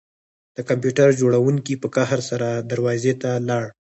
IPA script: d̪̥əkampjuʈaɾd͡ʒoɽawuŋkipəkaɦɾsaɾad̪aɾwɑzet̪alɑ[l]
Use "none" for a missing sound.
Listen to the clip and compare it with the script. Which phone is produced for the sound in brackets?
ɽ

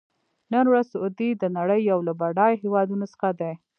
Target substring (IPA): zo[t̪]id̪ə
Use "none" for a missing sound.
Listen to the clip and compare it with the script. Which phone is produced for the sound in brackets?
d̪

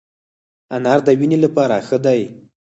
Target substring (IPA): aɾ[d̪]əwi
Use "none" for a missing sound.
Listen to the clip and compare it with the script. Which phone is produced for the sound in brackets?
d̪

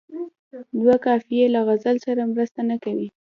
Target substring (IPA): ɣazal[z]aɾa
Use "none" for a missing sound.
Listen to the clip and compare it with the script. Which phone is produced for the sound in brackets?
s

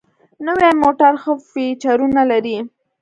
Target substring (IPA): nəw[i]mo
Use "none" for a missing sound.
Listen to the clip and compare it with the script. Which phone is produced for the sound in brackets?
e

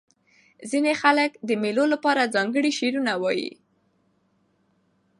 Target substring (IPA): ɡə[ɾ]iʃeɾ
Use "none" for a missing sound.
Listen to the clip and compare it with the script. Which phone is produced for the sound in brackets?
ɽ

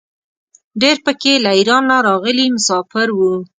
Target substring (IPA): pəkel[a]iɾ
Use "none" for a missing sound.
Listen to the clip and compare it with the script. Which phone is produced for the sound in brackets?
a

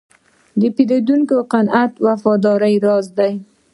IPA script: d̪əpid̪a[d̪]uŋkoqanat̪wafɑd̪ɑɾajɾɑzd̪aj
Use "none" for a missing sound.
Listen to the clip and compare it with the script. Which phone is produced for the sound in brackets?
d̪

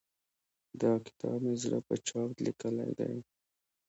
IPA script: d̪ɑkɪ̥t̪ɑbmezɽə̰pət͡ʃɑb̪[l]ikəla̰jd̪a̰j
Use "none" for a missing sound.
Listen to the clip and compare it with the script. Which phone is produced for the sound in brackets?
l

